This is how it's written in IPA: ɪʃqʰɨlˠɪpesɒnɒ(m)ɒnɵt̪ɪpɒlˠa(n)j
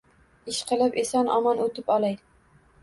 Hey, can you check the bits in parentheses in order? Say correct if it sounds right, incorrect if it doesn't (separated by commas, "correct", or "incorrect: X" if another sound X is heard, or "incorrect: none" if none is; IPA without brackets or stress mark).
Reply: correct, incorrect: none